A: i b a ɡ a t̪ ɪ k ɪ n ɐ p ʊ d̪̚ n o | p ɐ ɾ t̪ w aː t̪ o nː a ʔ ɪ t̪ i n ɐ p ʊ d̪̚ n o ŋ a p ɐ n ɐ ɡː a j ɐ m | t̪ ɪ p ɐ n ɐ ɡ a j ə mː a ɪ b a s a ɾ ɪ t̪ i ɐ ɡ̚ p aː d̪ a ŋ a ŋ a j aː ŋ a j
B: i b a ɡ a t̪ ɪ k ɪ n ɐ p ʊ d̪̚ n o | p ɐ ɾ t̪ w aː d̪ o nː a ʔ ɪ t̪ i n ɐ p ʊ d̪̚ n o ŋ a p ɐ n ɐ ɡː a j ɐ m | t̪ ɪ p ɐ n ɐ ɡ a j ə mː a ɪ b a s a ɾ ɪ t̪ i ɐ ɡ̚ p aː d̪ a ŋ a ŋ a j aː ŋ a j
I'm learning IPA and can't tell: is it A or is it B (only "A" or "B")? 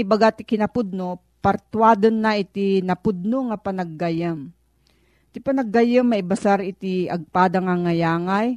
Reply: B